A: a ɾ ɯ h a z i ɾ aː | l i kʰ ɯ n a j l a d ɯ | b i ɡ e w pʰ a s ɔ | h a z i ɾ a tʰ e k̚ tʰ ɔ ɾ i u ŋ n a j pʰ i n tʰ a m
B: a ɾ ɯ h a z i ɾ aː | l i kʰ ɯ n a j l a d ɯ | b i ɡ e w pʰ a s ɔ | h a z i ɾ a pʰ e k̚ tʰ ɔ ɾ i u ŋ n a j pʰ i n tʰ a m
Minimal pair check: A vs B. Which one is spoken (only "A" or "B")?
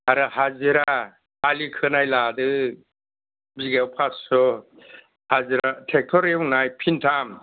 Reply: A